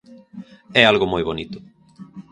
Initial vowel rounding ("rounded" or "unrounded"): unrounded